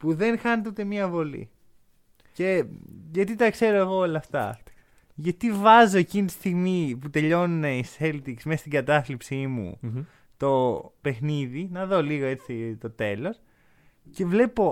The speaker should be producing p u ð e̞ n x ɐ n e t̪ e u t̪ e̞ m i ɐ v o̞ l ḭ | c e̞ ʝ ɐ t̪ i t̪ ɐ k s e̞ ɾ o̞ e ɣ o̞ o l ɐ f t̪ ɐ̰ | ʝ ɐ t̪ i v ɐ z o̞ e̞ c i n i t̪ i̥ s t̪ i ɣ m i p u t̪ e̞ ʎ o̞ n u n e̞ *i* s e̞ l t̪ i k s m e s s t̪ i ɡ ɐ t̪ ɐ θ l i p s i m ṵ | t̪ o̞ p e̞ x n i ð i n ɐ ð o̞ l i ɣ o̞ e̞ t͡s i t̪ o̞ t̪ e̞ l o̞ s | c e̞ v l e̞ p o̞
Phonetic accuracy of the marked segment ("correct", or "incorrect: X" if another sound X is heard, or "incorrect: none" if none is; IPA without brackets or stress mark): correct